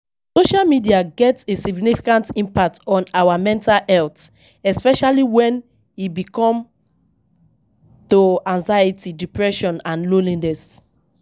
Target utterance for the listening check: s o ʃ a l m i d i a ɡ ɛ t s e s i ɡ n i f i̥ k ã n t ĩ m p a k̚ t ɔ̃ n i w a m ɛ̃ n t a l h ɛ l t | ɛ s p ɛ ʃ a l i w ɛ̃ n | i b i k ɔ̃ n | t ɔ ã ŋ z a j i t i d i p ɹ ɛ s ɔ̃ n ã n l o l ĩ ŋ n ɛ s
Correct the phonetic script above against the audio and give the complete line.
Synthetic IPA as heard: s o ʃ a l m i d i a ɡ ɛ t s e s i ɡ n i f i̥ k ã n t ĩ m p a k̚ t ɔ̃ n a w a m ɛ̃ n t a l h ɛ l t | ɛ s p ɛ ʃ a l i w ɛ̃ n | i b i k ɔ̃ m | t o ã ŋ z a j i t i d i p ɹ ɛ ʃ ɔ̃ n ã n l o l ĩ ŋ n ɛ s